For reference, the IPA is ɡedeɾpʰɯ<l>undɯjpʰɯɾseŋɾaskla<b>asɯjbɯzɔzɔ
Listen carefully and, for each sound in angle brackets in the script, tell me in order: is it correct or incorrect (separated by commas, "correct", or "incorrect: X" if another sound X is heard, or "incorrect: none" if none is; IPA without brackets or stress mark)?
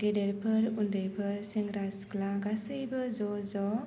incorrect: ɾ, incorrect: ɡ